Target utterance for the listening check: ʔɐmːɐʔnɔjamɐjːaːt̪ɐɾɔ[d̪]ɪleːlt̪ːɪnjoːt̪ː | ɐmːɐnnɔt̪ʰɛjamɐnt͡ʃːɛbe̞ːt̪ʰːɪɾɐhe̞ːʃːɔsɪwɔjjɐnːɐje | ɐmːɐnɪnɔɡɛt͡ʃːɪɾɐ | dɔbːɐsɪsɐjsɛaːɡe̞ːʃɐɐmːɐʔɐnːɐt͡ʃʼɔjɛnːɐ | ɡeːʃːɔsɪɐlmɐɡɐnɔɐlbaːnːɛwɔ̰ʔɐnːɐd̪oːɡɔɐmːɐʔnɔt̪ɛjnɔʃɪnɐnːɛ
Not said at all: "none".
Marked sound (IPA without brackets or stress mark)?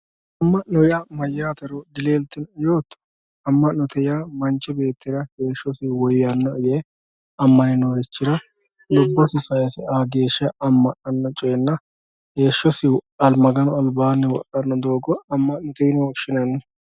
d̪